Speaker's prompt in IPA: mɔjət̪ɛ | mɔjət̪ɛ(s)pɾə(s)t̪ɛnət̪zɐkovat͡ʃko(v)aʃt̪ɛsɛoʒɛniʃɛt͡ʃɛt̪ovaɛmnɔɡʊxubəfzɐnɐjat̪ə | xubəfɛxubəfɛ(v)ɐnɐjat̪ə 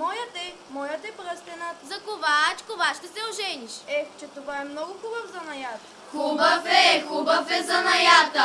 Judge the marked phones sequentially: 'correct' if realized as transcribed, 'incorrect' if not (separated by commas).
incorrect, correct, correct, incorrect